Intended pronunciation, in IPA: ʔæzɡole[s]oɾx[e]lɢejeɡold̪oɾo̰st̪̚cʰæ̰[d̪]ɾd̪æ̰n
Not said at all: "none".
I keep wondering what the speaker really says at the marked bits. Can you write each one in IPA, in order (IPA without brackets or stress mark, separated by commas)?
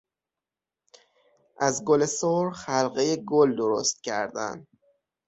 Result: s, æ, none